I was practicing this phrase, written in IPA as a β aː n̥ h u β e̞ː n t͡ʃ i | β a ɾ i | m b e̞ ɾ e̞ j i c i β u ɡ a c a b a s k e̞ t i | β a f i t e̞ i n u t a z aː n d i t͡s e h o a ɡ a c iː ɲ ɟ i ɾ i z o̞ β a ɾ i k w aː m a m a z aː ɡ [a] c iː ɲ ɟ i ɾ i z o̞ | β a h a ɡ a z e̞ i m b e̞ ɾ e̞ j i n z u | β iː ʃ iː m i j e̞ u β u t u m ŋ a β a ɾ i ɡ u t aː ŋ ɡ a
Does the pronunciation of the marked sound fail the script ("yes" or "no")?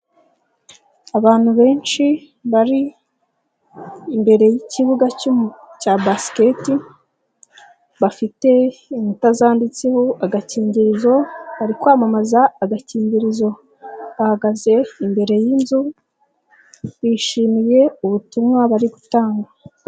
no